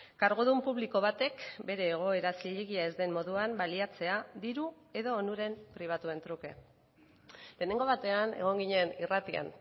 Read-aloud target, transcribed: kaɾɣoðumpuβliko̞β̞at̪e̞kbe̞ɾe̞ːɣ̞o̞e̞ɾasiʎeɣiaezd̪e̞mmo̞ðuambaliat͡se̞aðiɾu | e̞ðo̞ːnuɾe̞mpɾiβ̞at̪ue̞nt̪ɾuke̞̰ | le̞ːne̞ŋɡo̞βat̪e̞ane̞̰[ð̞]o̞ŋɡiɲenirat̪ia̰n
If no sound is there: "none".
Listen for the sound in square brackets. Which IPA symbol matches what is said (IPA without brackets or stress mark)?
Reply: ɣ̞